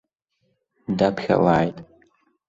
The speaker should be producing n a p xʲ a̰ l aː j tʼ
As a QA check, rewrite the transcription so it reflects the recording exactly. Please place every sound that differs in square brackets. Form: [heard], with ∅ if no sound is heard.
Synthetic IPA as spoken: [d] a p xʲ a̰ l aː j tʼ